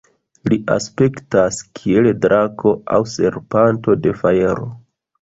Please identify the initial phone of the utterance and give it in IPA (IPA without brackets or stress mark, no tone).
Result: l